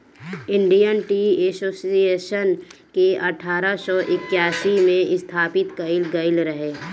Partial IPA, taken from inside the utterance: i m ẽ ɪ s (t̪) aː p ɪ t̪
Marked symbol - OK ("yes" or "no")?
no